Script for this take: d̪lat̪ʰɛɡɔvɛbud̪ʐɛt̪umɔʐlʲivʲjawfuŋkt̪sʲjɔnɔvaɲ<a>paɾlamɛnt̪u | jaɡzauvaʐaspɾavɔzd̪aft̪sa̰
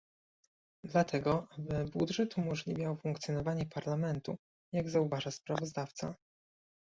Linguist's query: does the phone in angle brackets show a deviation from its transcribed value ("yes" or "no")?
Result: yes